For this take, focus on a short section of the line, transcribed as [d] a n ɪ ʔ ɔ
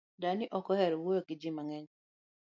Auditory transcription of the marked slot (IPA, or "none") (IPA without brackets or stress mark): d